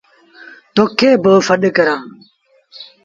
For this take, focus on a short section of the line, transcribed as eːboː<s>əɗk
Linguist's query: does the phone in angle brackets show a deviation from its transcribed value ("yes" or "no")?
yes